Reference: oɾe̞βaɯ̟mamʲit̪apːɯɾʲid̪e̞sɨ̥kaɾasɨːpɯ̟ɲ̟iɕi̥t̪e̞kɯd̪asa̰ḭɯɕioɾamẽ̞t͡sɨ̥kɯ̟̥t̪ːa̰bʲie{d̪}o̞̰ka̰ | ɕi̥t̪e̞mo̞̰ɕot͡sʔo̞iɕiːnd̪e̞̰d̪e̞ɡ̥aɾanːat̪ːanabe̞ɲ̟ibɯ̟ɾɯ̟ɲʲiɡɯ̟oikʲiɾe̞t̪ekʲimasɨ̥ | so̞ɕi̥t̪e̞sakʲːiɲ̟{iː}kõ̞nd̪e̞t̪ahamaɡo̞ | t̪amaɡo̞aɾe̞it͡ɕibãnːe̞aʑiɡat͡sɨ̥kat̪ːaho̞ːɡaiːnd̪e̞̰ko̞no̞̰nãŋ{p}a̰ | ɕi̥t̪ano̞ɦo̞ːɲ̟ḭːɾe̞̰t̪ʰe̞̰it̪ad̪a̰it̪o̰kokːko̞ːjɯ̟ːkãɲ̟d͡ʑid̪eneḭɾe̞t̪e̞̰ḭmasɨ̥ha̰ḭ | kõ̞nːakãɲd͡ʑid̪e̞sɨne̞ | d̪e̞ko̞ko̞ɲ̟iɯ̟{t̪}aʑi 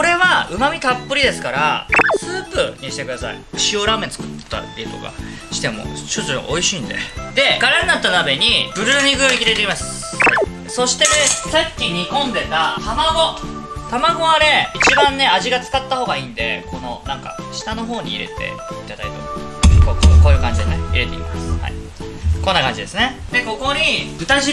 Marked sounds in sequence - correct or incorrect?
incorrect: t̪, incorrect: i, incorrect: k, correct

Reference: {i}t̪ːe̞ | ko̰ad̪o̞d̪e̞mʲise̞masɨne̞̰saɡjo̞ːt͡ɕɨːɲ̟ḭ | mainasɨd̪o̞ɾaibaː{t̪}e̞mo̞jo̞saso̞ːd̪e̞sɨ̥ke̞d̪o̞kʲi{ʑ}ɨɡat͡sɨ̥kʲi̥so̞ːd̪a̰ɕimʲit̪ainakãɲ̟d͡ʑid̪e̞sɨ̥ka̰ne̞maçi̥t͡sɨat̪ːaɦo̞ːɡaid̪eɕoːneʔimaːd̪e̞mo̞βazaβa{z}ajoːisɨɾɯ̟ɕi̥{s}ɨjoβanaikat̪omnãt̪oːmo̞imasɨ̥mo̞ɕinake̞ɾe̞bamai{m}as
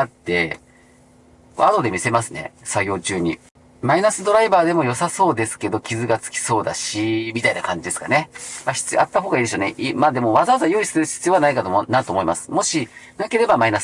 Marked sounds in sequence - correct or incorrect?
incorrect: a, incorrect: d̪, incorrect: z, correct, incorrect: t͡s, incorrect: n

